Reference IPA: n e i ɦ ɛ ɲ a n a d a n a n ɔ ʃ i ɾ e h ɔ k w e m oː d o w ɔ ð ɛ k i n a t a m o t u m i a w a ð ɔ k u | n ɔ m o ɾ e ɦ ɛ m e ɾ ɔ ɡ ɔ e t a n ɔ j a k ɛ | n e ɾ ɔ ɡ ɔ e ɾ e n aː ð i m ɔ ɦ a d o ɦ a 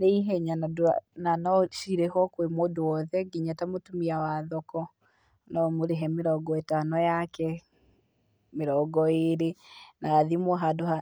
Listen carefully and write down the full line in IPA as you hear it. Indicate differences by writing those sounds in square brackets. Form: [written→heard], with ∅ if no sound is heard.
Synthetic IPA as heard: n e i ɦ ɛ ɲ a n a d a n a n ɔ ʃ i ɾ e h ɔ k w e m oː d o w ɔ ð ɛ [k→ɡ] i [n→ɲ] a t a m o t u m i a w a ð ɔ k [u→ɔ] | n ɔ m o ɾ e ɦ ɛ m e ɾ ɔ ɡ ɔ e t a n ɔ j a k ɛ | [n→m] e ɾ ɔ ɡ ɔ e ɾ e n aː ð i m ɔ ɦ a d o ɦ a